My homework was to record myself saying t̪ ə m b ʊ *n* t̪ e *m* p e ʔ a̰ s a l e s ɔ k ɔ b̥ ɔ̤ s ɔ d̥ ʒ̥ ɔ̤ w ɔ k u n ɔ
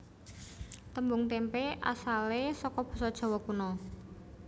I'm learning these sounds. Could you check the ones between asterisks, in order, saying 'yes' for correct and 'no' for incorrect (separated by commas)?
no, yes